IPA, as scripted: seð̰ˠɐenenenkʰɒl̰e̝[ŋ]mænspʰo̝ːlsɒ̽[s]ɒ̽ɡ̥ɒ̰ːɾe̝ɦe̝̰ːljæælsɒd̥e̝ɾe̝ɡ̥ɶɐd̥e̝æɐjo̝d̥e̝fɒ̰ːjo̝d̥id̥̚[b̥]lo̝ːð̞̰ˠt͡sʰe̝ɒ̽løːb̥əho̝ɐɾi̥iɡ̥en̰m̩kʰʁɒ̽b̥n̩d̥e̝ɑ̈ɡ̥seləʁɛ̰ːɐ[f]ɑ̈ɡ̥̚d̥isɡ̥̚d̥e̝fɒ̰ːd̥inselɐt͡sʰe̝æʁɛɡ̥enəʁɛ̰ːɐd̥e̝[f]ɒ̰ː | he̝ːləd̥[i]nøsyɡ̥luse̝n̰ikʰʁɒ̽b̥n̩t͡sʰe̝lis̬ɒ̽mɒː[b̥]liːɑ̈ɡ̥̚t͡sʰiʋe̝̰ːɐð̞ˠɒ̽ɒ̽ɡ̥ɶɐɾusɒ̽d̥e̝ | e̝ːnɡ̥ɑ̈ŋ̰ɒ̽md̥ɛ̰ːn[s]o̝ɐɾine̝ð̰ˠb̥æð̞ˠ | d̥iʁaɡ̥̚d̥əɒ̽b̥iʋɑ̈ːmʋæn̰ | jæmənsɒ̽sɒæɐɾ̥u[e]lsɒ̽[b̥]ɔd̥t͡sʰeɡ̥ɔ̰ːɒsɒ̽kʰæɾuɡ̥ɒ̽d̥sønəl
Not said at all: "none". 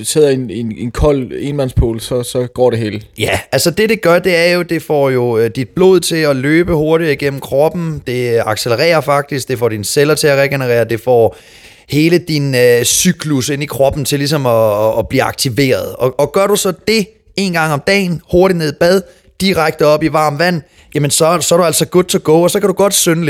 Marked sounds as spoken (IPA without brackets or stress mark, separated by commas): n, s, b̥, f, f, i, b̥, h, æ, ɡ̥